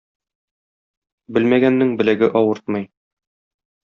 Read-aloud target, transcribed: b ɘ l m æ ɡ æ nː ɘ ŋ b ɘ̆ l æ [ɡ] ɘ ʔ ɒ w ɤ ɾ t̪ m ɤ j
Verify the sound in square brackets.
correct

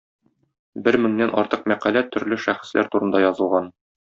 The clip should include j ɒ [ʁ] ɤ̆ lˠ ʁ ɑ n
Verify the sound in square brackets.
incorrect: z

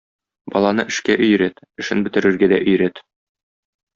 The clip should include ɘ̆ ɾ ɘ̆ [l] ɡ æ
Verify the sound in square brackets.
incorrect: ɾ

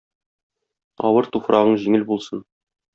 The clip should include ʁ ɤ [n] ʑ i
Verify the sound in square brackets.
incorrect: ɴ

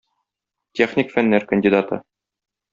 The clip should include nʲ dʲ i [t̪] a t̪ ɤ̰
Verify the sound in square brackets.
incorrect: d̪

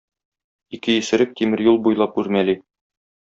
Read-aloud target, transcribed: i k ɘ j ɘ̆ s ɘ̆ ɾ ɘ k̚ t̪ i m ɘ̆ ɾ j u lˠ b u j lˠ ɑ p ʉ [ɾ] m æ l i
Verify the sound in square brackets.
correct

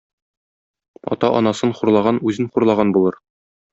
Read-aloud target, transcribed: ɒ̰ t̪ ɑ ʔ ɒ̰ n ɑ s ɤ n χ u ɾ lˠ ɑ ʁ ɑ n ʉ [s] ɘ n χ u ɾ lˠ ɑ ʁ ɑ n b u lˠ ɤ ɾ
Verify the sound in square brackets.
incorrect: z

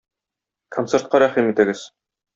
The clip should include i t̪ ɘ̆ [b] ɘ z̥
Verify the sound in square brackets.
incorrect: ɡ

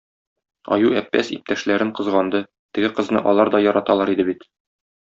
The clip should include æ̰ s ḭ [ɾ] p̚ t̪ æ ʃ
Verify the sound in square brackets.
incorrect: none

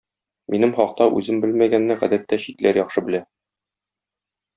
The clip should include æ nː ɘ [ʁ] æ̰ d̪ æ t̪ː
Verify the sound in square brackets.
correct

